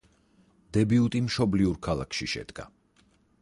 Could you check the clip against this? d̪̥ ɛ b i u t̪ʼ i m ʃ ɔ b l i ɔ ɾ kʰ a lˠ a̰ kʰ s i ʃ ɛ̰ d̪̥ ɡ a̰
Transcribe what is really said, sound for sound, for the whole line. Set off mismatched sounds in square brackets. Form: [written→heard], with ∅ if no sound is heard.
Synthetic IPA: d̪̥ ɛ b i u t̪ʼ i m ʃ ɔ b l i [ɔ→u] ɾ kʰ a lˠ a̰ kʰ [s→ʃ] i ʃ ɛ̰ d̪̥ ɡ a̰